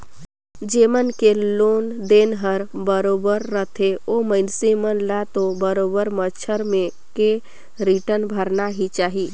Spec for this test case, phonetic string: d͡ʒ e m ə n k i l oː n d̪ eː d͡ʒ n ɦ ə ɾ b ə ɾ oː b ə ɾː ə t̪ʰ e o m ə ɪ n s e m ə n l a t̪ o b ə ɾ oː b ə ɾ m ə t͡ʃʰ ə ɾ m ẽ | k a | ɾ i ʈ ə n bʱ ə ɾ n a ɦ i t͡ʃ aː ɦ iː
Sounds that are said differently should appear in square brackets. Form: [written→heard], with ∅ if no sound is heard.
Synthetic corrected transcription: d͡ʒ e m ə n k [i→e] l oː n d̪ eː [d͡ʒ→∅] n ɦ ə ɾ b ə ɾ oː b ə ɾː ə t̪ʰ e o m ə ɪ n s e m ə n l a t̪ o b ə ɾ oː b ə ɾ m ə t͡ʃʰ ə ɾ m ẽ | k [a→e] | ɾ i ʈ ə n bʱ ə ɾ n a ɦ i t͡ʃ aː ɦ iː

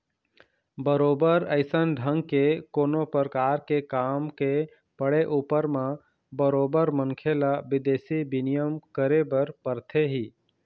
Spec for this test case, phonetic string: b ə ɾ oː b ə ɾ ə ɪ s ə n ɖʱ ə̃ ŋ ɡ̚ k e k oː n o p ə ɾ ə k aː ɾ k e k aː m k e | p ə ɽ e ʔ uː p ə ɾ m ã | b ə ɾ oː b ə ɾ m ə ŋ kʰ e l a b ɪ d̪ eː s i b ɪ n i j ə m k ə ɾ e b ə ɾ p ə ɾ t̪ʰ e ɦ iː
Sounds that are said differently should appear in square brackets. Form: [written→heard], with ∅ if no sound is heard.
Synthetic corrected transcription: b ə ɾ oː b ə ɾ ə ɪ s ə n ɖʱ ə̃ ŋ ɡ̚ k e k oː n o p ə ɾ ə k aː ɾ k e k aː m k e | p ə ɽ e ʔ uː p ə ɾ m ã | b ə ɾ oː b ə ɾ m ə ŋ kʰ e l a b ɪ d̪ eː s i b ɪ n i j ə m k ə ɾ e b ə ɾ p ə ɾ t̪ʰ e ɦ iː

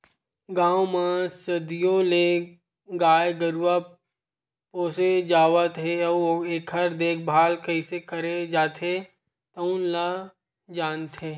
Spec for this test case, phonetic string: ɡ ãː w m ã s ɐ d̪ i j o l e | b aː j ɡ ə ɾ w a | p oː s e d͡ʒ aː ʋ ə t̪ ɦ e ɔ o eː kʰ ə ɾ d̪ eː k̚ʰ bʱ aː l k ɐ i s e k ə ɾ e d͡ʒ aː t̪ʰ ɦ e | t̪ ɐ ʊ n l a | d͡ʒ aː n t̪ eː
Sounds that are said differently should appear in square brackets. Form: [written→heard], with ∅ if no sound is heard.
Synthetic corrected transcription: ɡ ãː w m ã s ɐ d̪ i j o l e | [b→ɡ] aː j ɡ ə ɾ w a | p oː s e d͡ʒ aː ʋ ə t̪ ɦ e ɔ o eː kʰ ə ɾ d̪ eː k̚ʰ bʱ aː l k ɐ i s e k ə ɾ e d͡ʒ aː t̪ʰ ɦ e | t̪ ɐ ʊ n l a | d͡ʒ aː n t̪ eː

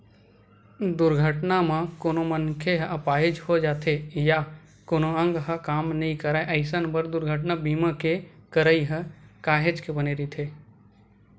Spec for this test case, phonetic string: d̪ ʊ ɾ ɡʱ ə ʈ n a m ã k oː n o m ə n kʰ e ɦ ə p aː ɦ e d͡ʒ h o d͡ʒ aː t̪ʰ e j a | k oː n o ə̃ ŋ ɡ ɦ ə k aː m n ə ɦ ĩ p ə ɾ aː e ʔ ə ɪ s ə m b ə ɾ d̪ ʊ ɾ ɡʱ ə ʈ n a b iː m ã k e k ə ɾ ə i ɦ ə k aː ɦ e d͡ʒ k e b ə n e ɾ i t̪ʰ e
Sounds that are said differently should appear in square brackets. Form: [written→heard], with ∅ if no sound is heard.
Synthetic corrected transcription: d̪ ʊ ɾ ɡʱ ə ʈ n a m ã k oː n o m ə n kʰ e ɦ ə p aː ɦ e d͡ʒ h o d͡ʒ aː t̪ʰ e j a | k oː n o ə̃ ŋ ɡ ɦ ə k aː m n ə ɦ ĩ [p→k] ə ɾ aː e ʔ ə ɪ s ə [m→n] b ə ɾ d̪ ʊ ɾ ɡʱ ə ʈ n a b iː m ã k e k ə ɾ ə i ɦ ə k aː ɦ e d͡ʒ k e b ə n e ɾ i t̪ʰ e

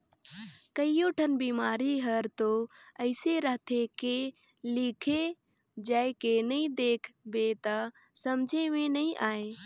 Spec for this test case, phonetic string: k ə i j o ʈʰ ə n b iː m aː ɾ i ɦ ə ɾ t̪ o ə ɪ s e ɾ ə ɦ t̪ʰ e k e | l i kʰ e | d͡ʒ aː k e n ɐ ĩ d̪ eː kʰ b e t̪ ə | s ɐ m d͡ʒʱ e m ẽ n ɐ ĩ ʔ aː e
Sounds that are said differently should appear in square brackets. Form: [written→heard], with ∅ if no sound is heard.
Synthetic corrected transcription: k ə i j o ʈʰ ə n b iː m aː ɾ i ɦ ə ɾ t̪ o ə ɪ s e ɾ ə ɦ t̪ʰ e k e | l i kʰ e | d͡ʒ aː k e n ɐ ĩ d̪ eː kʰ b e t̪ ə | s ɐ m d͡ʒʱ e m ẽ n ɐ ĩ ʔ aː e

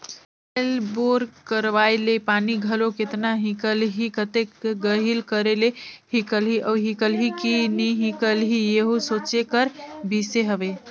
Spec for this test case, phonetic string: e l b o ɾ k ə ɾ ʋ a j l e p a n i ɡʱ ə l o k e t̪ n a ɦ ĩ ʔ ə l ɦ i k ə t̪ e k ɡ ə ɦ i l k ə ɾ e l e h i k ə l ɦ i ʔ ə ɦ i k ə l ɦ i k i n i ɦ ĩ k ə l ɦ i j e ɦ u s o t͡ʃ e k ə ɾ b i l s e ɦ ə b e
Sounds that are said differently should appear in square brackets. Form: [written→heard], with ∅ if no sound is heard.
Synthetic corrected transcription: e l b o ɾ k ə ɾ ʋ a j l e p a n i ɡʱ ə l o k e t̪ n a ɦ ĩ [ʔ→k] ə l ɦ i k ə t̪ e k ɡ ə ɦ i l k ə ɾ e l e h i k ə l ɦ i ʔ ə ɦ i k ə l ɦ i k i n i ɦ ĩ k ə l ɦ i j e ɦ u s o t͡ʃ e k ə ɾ b i [l→∅] s e ɦ ə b e

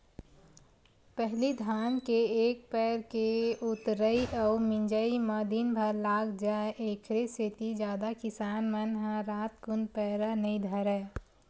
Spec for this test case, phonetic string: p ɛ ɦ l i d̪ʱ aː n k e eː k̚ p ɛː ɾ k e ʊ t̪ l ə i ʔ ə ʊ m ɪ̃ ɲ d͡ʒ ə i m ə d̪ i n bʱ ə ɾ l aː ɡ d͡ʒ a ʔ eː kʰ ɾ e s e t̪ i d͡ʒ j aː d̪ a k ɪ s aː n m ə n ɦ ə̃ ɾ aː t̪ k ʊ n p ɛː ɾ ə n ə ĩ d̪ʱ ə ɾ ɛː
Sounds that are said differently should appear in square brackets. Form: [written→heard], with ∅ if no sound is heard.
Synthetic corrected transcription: p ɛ ɦ l i d̪ʱ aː n k e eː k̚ p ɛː ɾ k e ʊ t̪ [l→ɾ] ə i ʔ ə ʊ m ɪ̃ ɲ d͡ʒ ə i m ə d̪ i n bʱ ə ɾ l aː ɡ d͡ʒ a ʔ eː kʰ ɾ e s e t̪ i d͡ʒ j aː d̪ a k ɪ s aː n m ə n ɦ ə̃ ɾ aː t̪ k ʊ n p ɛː ɾ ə n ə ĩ d̪ʱ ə ɾ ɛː

